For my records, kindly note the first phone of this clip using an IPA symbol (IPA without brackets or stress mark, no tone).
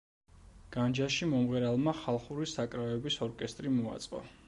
ɡ̥